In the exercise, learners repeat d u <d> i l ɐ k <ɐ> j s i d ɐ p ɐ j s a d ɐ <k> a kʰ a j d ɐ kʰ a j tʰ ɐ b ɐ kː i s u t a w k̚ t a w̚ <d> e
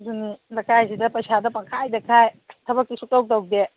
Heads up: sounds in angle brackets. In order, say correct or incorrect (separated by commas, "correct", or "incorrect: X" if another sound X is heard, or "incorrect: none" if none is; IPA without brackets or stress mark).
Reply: incorrect: n, incorrect: a, incorrect: p, correct